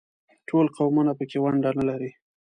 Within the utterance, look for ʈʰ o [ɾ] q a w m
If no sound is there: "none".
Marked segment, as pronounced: l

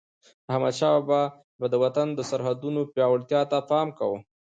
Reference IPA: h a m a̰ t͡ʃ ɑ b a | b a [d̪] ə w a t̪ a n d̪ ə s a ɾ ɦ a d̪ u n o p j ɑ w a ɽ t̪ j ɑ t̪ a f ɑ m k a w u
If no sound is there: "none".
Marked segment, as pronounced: d̪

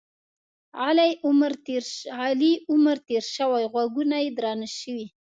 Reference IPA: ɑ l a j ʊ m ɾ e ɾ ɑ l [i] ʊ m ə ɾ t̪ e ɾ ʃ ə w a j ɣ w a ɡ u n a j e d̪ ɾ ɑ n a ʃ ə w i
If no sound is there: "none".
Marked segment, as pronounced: i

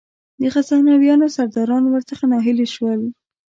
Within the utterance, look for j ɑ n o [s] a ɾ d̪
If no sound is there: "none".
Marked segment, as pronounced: s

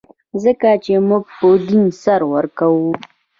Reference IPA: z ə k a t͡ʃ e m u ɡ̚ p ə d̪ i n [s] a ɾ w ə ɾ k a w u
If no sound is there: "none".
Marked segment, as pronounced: s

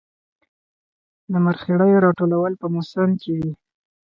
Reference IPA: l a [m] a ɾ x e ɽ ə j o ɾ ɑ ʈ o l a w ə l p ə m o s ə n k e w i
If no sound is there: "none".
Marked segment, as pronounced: m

